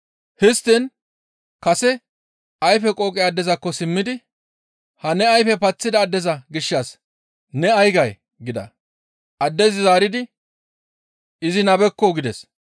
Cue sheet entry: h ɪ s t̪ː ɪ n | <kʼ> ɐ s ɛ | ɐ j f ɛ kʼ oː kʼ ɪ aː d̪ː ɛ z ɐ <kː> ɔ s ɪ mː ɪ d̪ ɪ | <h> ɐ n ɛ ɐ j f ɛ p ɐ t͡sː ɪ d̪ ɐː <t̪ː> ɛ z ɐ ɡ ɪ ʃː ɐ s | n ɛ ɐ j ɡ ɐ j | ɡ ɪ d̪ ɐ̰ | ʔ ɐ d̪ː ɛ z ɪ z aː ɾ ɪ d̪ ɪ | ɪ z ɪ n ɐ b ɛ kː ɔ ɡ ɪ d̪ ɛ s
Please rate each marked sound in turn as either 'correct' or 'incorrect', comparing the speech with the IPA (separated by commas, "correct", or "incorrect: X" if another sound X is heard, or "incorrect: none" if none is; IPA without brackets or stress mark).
incorrect: k, correct, correct, incorrect: d̪ː